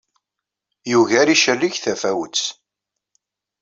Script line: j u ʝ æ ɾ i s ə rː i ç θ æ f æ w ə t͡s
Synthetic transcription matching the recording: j u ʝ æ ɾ i ʃ ə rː i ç θ æ f æ w ə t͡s